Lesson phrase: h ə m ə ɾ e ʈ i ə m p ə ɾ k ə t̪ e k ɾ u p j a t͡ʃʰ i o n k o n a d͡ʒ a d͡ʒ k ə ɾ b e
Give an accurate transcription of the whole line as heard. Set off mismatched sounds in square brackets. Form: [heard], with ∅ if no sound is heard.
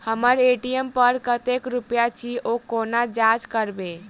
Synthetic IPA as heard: h ə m ə ɾ e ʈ i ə m p ə ɾ k ə t̪ e k ɾ u p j a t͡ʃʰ i o [∅] k o n a d͡ʒ a d͡ʒ k ə ɾ b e